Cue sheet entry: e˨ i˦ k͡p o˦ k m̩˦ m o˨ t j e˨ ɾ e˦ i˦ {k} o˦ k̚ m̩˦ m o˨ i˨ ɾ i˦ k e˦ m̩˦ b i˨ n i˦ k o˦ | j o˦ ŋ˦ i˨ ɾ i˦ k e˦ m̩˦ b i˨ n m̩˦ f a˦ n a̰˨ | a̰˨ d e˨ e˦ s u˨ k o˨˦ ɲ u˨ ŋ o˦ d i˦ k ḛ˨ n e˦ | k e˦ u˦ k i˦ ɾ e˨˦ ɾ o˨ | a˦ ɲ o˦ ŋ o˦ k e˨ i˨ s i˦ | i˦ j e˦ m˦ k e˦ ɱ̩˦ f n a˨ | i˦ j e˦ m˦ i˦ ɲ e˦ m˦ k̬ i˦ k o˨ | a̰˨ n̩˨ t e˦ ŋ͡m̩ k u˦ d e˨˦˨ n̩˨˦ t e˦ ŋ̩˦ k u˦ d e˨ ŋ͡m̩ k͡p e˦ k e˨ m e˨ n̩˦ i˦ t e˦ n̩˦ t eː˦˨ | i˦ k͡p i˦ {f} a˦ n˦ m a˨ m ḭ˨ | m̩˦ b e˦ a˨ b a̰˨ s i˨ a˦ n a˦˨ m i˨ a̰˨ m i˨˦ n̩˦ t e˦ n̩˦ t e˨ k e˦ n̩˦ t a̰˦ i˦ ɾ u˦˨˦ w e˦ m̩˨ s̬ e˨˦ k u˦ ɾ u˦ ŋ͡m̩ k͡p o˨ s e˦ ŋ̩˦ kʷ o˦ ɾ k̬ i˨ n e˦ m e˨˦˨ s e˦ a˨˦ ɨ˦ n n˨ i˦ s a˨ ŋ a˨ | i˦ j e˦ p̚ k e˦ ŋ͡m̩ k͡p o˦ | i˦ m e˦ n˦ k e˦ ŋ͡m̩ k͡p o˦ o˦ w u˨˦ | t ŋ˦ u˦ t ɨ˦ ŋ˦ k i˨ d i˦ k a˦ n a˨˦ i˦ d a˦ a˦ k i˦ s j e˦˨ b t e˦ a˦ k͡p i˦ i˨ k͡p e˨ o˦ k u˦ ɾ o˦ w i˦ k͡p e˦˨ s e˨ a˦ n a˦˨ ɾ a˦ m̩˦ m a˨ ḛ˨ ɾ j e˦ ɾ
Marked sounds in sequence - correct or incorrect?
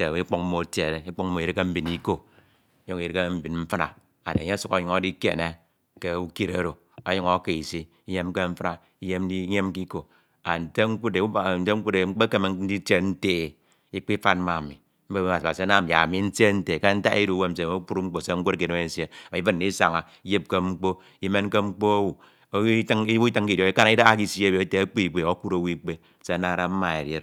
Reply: incorrect, correct

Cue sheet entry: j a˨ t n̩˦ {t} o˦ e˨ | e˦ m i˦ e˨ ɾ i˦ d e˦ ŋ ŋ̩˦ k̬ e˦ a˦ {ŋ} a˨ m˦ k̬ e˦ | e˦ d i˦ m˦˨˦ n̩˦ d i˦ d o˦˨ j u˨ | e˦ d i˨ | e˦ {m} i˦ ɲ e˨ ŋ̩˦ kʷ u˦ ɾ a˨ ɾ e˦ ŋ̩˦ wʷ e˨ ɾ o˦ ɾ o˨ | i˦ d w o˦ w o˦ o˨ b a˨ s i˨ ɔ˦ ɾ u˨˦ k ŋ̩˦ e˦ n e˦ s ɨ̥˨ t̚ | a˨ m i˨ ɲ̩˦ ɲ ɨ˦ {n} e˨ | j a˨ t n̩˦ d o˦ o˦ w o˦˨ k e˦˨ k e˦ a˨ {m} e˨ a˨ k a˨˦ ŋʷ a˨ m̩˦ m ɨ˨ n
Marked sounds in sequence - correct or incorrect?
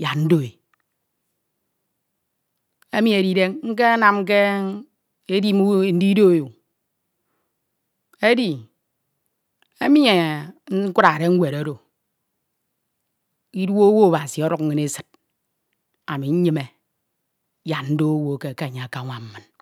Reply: incorrect, incorrect, correct, incorrect, incorrect

